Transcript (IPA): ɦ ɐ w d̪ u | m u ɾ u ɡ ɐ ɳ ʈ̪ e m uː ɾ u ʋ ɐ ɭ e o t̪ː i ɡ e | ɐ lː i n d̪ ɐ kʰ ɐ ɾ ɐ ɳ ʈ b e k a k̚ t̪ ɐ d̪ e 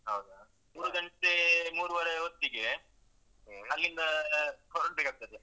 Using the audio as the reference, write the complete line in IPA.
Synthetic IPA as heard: ɦ ɐ w d̪ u | m uː ɾ u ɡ ɐ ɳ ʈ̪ e m uː ɾ u ʋ ɐ ɾ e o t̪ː i ɡ e | ɐ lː i n d̪ ɐ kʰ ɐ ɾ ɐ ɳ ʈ b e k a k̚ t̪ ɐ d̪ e